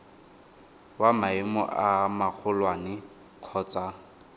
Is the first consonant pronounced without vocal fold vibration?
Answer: no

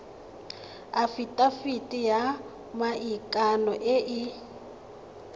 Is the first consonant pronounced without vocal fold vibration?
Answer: yes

